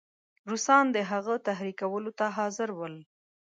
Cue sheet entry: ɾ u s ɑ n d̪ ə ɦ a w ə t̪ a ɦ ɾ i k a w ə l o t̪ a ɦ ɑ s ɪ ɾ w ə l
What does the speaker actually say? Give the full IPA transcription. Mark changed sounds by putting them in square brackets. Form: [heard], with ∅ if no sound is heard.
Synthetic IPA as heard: ɾ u s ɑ n d̪ ə ɦ a [ɣ] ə t̪ a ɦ ɾ i k a w ə l o t̪ a ɦ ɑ [z] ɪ ɾ w ə l

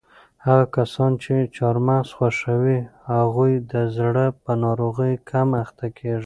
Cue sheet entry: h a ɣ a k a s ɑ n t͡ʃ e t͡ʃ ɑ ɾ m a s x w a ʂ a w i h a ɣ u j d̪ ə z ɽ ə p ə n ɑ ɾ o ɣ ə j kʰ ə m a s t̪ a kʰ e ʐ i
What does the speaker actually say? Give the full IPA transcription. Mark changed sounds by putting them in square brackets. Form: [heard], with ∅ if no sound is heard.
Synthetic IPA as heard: h a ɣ a k a s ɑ n t͡ʃ e t͡ʃ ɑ ɾ m a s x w a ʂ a w i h a ɣ u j d̪ ə z ɽ ə p ə n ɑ ɾ o ɣ ə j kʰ [a] m a [x] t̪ a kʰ e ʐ i

